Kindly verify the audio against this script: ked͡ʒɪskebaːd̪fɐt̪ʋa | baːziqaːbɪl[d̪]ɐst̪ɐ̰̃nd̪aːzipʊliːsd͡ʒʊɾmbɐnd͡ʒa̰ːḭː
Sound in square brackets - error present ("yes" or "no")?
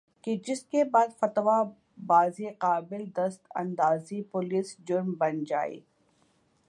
no